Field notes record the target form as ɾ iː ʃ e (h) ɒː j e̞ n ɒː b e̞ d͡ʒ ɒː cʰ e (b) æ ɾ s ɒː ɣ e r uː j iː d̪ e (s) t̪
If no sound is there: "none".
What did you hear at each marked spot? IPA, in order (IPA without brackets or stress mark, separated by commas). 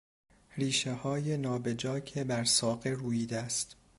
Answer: h, b, s